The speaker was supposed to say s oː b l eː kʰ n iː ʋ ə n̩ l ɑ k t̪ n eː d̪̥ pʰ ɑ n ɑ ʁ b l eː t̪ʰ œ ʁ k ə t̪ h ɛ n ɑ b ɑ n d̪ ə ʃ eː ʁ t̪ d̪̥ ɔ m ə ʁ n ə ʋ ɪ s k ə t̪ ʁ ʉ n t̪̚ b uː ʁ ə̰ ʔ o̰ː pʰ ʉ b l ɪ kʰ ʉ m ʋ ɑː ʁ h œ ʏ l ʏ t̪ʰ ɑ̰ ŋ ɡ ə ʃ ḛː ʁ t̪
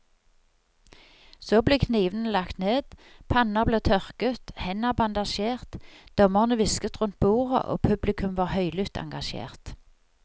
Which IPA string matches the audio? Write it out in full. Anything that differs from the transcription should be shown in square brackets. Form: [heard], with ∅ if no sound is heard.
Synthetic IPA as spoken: s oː b l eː kʰ n iː ʋ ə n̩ l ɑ k t̪ n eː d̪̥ pʰ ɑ n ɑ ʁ b l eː t̪ʰ œ ʁ k ə t̪ h ɛ n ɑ b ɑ n d̪ [ɑ] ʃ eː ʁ t̪ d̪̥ ɔ m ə ʁ n ə ʋ ɪ s k ə t̪ ʁ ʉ n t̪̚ b uː ʁ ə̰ ʔ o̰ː pʰ ʉ b l ɪ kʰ ʉ m ʋ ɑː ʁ h œ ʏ l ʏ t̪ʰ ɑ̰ ŋ ɡ [ɑ] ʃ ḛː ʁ t̪